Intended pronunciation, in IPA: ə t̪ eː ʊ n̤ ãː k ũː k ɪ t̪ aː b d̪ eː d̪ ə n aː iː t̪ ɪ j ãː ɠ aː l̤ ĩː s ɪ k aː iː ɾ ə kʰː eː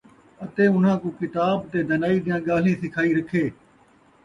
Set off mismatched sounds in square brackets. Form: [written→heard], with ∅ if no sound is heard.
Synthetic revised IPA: ə t̪ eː ʊ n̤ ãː k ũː k ɪ t̪ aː b [d̪→t̪] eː d̪ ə n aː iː [t̪→d̪] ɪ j ãː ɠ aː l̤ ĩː s ɪ [k→kʰ] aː iː ɾ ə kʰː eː